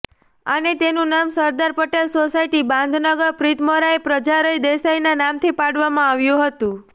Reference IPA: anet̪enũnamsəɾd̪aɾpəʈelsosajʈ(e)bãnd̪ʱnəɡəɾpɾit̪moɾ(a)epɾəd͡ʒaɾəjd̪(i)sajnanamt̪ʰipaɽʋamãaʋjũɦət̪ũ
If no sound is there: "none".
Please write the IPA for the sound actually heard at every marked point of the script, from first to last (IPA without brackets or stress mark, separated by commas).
i, a, e